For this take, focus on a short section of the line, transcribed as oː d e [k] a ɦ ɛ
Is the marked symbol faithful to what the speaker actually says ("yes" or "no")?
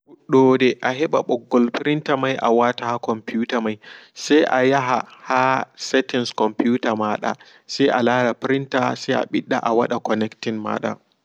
no